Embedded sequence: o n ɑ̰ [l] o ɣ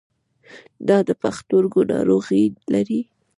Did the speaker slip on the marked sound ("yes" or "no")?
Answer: yes